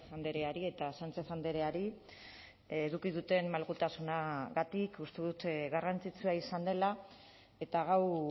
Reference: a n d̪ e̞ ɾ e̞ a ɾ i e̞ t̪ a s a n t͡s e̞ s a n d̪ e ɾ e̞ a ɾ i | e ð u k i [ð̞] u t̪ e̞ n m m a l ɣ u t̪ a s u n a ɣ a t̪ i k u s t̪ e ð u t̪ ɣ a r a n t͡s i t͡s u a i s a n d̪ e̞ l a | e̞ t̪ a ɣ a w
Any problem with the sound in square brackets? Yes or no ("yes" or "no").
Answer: no